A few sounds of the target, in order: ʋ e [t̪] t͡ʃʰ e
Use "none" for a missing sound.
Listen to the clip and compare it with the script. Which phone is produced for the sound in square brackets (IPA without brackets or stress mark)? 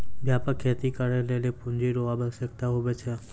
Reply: none